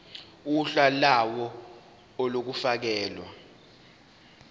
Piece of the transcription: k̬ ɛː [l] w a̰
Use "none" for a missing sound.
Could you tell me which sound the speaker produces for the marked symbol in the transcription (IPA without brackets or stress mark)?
l